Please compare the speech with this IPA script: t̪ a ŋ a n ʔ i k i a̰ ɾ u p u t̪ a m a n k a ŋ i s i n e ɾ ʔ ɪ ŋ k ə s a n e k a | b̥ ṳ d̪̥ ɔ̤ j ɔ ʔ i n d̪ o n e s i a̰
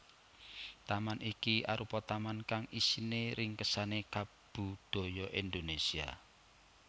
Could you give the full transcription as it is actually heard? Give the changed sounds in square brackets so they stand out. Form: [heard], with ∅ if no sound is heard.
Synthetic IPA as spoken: t̪ a [m] a n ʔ i k i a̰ ɾ u p [ɔ] t̪ a m a n k a ŋ i s i n e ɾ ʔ ɪ ŋ k ə s a n e k a | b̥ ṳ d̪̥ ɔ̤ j ɔ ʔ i n d̪ o n e s i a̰